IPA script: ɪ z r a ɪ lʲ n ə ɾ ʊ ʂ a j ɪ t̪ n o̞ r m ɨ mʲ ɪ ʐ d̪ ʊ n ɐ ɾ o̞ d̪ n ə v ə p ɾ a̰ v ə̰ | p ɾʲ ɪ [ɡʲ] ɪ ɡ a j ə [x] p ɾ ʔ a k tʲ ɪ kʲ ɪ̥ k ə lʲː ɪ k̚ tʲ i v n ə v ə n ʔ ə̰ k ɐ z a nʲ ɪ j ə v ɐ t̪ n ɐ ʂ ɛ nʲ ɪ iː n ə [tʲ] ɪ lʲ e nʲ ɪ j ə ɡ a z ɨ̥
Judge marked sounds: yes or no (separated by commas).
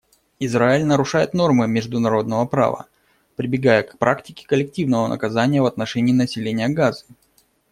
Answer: no, no, no